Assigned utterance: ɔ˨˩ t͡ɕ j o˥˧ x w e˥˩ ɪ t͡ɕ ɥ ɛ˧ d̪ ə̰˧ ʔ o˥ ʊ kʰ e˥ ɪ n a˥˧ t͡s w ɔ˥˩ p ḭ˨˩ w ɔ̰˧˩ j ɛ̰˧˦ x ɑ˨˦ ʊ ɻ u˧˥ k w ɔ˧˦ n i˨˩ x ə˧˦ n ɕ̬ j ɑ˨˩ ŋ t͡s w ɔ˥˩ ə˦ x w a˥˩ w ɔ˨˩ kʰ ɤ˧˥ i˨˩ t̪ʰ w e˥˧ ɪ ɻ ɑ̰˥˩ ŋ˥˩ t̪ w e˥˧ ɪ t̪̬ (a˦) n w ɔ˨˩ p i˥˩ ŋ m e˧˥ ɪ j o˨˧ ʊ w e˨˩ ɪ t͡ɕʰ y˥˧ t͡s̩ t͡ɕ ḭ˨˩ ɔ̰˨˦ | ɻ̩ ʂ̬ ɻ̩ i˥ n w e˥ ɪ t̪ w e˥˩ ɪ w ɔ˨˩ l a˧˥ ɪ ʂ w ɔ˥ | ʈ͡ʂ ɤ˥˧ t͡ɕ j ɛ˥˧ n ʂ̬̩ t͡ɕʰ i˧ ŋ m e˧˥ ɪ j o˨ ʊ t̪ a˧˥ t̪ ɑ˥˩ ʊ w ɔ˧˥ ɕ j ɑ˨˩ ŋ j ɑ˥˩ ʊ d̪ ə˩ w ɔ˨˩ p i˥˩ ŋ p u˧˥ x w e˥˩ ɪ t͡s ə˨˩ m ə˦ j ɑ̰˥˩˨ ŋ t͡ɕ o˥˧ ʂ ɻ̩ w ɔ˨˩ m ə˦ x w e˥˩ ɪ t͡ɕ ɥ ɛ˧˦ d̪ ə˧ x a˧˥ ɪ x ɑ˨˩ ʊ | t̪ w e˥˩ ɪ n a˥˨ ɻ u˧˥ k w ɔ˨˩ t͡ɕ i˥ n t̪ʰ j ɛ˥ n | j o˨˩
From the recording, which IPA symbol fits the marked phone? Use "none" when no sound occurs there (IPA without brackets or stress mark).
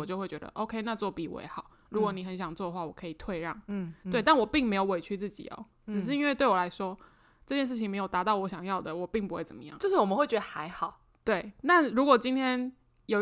a˥˩